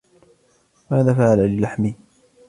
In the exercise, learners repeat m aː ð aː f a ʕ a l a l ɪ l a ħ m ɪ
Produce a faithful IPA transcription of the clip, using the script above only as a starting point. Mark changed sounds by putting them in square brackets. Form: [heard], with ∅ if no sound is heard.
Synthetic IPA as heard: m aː ð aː f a ʕ a l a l ɪ l a ħ m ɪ